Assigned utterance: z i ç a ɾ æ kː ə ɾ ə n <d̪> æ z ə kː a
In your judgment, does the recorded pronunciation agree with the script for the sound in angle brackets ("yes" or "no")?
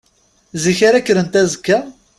no